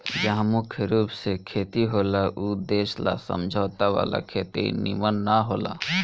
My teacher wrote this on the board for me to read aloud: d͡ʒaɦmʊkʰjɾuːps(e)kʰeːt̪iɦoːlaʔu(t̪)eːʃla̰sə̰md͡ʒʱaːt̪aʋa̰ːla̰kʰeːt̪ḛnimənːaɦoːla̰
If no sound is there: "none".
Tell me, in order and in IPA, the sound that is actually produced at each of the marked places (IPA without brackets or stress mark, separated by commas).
e, d̪